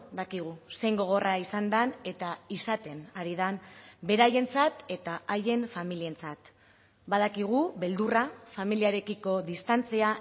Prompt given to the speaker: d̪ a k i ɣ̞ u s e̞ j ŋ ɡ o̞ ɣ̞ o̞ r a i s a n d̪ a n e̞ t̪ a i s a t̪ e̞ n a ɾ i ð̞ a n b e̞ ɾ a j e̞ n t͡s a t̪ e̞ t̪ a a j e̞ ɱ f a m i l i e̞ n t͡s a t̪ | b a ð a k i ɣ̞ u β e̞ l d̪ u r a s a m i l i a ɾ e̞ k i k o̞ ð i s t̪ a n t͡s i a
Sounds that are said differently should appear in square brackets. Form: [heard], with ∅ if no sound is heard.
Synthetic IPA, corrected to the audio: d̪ a k i ɣ̞ u s e̞ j ŋ ɡ o̞ ɣ̞ o̞ r a i s a n d̪ a n e̞ t̪ a i s a t̪ e̞ n a ɾ i ð̞ a n b e̞ ɾ a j e̞ n t͡s a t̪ e̞ t̪ a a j e̞ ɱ f a m i l i e̞ n t͡s a t̪ | b a ð a k i ɣ̞ u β e̞ l d̪ u r a [f] a m i l i a ɾ e̞ k i k o̞ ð i s t̪ a n t͡s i a